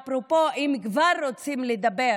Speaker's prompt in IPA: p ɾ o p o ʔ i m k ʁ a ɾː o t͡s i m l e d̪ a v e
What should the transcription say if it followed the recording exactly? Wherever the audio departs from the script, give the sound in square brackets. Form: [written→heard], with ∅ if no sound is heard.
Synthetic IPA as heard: p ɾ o p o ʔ i m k [ʁ→v] a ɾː o t͡s i m l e d̪ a [v→b] e